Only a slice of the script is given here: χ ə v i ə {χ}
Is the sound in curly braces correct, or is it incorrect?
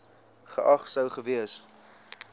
incorrect